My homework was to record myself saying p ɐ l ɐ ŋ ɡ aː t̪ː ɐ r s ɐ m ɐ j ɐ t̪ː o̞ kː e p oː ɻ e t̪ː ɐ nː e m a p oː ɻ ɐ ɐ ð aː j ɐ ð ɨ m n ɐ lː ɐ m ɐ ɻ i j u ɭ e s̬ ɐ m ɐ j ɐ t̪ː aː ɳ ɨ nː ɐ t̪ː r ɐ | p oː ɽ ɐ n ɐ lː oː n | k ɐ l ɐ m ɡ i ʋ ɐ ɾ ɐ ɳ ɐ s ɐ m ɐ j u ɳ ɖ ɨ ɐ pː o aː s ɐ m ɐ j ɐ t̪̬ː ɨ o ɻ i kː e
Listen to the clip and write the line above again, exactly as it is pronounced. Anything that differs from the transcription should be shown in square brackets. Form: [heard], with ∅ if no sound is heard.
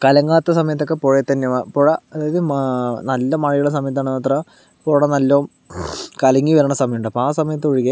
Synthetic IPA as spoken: [k] ɐ l ɐ ŋ ɡ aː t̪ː ɐ [∅] s ɐ m ɐ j ɐ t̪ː o̞ kː e p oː ɻ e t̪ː ɐ nː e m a p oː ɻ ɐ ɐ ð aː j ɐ ð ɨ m n ɐ lː ɐ m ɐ ɻ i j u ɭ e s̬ ɐ m ɐ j ɐ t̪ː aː ɳ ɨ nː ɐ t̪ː r ɐ | p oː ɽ ɐ n ɐ lː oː [m] | k ɐ l ɐ [ŋ] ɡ i ʋ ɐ ɾ ɐ ɳ ɐ s ɐ m ɐ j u ɳ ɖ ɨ ɐ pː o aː s ɐ m ɐ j ɐ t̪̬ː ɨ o ɻ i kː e